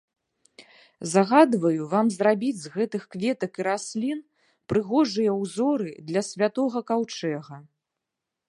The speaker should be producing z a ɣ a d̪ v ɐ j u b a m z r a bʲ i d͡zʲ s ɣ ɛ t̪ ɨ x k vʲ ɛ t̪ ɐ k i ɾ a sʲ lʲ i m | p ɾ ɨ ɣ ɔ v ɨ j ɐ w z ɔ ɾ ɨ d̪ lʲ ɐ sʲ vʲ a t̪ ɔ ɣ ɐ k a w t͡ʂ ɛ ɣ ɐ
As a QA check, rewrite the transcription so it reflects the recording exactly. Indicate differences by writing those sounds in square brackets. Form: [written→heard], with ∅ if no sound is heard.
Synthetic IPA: z a ɣ a d̪ v ɐ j u [b→v] a m z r a bʲ i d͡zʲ [s→z] ɣ ɛ t̪ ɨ x k vʲ ɛ t̪ ɐ k i ɾ a sʲ lʲ i [m→n] | p ɾ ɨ ɣ ɔ [v→ʐ] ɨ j ɐ w z ɔ ɾ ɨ d̪ lʲ ɐ sʲ vʲ a t̪ ɔ ɣ ɐ k a w t͡ʂ ɛ ɣ ɐ